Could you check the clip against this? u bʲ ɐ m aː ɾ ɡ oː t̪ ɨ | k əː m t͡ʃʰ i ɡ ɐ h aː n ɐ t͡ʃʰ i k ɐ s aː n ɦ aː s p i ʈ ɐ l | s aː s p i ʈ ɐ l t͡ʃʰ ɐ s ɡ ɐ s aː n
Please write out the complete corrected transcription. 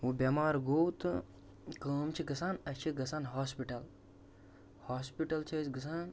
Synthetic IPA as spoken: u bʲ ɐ m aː ɾ ɡ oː t̪ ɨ | k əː m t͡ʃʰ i ɡ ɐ s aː n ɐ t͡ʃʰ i ɡ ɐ s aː n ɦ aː s p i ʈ ɐ l | h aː s p i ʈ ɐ l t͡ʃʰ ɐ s ɡ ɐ s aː n